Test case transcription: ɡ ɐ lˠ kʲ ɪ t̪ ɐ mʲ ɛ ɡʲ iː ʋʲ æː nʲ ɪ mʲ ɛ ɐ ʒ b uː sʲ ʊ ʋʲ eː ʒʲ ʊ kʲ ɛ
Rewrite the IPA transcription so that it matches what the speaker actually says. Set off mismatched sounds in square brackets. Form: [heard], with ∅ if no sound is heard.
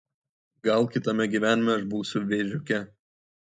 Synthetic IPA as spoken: ɡ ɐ lˠ kʲ ɪ t̪ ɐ mʲ ɛ ɡʲ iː ʋʲ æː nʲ ɪ mʲ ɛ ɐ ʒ b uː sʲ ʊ ʋʲ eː ʒʲ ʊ kʲ ɛ